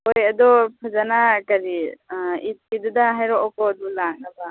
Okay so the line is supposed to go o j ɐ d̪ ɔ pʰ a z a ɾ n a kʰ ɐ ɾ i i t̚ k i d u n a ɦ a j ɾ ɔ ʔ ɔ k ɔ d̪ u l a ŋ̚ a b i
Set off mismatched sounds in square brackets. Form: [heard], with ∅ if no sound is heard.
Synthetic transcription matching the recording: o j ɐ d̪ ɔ pʰ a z a [∅] n a [k] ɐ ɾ i i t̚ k i d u [d] a ɦ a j ɾ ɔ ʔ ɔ k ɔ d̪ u l a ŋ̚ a b [a]